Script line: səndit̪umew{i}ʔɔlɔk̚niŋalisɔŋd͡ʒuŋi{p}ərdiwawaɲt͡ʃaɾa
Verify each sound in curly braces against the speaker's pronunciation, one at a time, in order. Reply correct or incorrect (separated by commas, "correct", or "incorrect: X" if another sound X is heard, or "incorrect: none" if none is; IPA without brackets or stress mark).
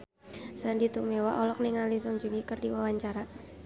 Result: incorrect: a, incorrect: k